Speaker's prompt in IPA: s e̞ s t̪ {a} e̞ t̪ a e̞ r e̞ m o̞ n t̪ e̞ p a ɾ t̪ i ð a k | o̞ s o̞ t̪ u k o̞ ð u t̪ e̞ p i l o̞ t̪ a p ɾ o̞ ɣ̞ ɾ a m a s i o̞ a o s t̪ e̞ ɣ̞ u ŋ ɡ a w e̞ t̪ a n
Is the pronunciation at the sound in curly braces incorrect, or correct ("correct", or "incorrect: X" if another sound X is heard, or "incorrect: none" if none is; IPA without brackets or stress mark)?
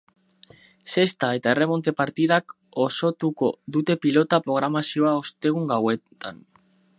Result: correct